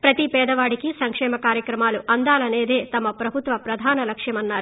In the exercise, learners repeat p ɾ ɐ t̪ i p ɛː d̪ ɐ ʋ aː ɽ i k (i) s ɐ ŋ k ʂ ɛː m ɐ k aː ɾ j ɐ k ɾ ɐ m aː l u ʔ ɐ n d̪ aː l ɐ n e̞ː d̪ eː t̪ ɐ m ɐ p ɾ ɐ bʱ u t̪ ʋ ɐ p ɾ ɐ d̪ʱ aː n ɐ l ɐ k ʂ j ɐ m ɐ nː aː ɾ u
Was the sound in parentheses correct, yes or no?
yes